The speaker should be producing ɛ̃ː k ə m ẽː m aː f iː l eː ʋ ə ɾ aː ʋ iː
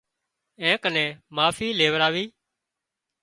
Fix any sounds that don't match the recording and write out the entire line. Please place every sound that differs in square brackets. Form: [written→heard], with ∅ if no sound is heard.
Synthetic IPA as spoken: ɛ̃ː k ə [m→n] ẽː m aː f iː l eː ʋ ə ɾ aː ʋ iː